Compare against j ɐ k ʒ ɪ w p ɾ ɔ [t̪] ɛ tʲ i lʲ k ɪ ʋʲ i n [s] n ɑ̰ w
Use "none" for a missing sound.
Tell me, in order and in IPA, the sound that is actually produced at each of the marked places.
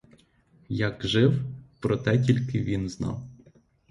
t̪, z

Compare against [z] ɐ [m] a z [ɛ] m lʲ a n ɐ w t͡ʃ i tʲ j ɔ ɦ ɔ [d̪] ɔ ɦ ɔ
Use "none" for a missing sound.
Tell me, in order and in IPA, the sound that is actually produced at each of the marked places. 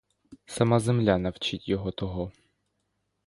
s, m, e, t̪

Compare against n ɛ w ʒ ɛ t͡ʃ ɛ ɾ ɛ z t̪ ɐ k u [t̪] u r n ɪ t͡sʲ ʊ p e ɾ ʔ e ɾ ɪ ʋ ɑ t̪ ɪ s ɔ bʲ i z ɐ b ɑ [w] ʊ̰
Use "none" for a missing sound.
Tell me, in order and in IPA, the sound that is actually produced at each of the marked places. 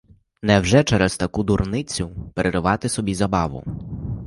d̪, ʋ

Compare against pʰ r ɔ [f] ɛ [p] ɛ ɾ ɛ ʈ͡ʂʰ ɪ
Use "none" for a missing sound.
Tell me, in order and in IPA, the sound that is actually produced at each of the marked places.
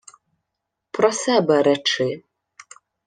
s, b

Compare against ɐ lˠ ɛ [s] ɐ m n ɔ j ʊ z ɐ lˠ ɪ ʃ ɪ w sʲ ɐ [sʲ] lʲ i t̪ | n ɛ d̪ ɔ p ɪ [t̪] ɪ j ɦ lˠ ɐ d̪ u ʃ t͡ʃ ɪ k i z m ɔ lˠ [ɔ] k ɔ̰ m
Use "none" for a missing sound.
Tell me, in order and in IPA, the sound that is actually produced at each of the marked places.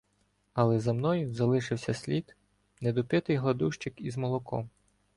z, sʲ, t̪, ɔ

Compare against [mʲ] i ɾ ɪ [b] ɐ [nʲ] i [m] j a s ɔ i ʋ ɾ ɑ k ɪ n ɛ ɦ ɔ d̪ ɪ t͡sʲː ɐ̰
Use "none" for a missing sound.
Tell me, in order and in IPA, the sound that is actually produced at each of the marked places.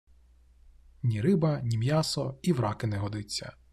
nʲ, b, nʲ, m

